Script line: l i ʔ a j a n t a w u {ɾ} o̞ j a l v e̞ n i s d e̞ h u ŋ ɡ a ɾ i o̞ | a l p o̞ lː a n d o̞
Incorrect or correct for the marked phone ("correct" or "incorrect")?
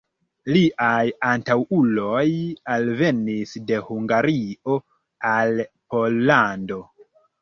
incorrect